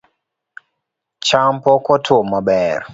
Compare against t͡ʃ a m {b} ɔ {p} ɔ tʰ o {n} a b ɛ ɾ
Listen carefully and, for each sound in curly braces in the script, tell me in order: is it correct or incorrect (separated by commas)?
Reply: incorrect, incorrect, incorrect